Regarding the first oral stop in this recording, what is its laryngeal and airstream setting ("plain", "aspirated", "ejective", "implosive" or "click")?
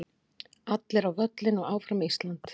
plain